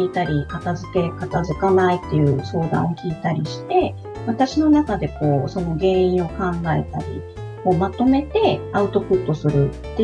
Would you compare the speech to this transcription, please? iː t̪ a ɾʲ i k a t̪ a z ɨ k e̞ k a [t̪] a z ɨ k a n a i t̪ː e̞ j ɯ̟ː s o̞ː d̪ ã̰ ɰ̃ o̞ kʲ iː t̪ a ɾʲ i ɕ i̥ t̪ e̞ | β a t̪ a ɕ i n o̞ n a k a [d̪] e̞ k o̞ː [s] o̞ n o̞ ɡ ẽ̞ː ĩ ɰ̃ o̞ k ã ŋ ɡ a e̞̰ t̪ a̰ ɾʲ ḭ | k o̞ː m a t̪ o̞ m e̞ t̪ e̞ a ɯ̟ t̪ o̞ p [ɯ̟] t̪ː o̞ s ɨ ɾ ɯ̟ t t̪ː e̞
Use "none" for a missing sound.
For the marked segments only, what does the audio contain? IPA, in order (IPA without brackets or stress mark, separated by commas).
t̪, d̪, s, ɯ̟